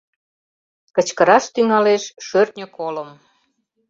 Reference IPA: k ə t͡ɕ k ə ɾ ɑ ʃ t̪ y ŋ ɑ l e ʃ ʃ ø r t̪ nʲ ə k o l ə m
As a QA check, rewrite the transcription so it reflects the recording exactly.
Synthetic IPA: k ə t͡ɕ k ə ɾ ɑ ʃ t̪ y ŋ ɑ l e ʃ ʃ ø r t̪ nʲ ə k o l ə m